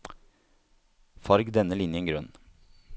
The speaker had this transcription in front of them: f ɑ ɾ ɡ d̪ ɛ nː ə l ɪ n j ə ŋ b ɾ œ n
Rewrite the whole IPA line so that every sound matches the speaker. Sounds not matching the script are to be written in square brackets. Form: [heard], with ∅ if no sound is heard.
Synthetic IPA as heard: f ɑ ɾ ɡ d̪ ɛ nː ə l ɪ n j ə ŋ [ɡ] ɾ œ n